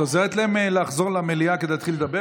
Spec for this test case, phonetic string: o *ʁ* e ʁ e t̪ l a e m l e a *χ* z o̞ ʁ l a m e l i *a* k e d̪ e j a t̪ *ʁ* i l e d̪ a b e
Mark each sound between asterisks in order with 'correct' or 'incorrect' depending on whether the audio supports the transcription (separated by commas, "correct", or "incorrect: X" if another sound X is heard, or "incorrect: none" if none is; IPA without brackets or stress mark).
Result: incorrect: z, correct, correct, incorrect: χ